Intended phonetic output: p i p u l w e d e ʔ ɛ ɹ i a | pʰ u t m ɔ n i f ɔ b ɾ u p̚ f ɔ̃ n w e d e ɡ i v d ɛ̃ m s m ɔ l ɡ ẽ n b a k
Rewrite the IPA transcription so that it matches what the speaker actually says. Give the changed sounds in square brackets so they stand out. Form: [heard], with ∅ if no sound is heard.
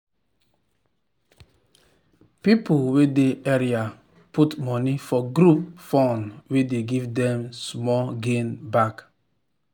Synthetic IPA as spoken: p i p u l w e d e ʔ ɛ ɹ i a | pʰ u t m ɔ n i f ɔ [ɡ] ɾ u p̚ f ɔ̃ n w e d e ɡ i v d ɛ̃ m s m ɔ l ɡ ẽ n b a k